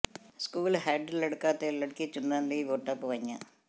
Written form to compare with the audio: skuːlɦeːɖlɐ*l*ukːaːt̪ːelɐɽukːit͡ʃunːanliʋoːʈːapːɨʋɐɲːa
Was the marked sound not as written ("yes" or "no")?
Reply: yes